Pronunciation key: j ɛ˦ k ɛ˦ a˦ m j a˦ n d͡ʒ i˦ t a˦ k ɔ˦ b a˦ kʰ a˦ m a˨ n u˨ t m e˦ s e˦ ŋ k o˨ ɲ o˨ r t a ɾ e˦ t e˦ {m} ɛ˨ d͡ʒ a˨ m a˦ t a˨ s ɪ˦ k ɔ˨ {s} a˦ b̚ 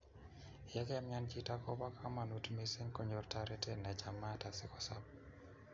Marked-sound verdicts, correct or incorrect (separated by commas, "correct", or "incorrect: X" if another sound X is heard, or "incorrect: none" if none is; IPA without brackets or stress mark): incorrect: n, correct